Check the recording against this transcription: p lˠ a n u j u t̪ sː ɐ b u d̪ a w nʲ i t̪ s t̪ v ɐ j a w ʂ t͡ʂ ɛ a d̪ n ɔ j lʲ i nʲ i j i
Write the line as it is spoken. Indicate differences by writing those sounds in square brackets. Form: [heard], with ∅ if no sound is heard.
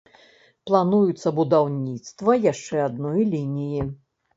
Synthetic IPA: p lˠ a n u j u t̪ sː ɐ b u d̪ a w nʲ i t̪ s t̪ v ɐ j a [∅] ʂ t͡ʂ ɛ a d̪ n ɔ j lʲ i nʲ i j i